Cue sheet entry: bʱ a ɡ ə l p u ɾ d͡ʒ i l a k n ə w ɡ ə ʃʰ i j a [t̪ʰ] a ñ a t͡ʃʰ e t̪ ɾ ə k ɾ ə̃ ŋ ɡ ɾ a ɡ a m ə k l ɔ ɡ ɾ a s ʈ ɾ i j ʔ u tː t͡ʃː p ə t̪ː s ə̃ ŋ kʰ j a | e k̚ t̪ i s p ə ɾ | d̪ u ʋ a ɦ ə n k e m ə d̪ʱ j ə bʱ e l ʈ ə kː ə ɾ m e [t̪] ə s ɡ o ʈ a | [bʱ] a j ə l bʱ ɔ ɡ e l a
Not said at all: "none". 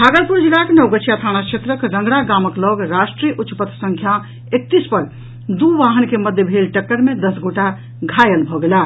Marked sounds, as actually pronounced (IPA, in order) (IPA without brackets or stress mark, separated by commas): t̪ʰ, d̪, ɡʱ